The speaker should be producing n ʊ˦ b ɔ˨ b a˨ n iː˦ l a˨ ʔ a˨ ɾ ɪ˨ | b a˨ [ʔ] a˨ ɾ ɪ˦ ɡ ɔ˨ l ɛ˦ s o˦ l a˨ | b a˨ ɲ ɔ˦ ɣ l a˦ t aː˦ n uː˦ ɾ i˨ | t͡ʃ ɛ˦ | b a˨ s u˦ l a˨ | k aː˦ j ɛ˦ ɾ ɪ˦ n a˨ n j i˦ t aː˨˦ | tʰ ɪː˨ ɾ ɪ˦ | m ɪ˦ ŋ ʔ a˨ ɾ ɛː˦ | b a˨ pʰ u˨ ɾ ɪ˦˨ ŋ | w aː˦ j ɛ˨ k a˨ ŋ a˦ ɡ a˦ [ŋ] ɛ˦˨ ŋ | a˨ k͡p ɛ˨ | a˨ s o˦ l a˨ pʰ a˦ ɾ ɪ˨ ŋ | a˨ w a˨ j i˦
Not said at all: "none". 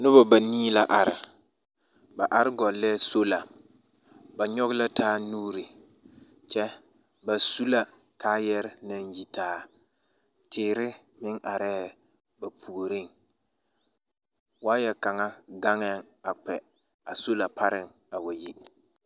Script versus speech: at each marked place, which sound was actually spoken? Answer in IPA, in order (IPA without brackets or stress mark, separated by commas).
ʔ, ŋ